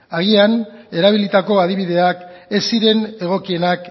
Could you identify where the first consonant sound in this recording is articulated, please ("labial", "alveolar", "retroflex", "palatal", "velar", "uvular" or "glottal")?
velar